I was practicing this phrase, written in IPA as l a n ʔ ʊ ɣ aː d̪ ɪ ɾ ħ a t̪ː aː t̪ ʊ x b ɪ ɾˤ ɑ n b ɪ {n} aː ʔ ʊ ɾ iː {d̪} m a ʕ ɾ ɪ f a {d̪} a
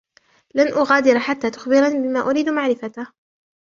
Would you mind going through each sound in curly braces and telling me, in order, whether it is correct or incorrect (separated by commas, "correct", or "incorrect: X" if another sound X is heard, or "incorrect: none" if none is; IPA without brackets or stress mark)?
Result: incorrect: m, correct, incorrect: t̪